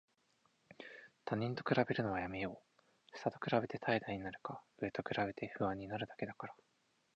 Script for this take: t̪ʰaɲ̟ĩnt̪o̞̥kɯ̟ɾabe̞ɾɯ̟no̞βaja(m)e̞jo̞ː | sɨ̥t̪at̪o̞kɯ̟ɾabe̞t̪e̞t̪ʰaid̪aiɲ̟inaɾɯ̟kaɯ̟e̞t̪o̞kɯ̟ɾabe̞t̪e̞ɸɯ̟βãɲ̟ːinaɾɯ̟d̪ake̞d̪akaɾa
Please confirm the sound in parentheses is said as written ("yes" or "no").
yes